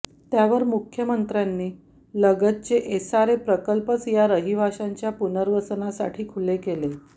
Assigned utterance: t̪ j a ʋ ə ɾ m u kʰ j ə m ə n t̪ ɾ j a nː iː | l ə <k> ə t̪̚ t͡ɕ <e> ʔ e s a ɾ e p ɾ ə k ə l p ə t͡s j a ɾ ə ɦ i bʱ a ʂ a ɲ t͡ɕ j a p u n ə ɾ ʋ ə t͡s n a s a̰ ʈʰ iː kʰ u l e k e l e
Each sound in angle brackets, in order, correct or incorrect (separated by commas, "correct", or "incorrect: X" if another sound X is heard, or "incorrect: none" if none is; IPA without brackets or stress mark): incorrect: ɡ, correct